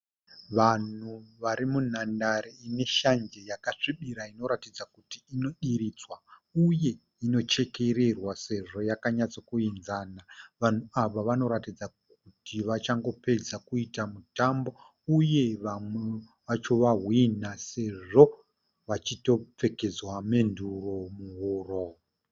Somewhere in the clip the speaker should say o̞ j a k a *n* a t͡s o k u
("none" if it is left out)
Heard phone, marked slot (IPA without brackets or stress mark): ɲ